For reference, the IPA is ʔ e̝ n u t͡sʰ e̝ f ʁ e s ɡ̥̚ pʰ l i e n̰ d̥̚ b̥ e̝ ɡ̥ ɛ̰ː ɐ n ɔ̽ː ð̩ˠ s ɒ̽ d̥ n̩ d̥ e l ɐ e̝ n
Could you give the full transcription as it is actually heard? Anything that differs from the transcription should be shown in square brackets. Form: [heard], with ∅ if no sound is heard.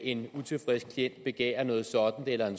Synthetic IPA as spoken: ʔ e̝ n u t͡sʰ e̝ f ʁ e s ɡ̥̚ [kʰ] l i e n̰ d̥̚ b̥ e̝ ɡ̥ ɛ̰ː ɐ n ɔ̽ː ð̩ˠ s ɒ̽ d̥ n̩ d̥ e l ɐ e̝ n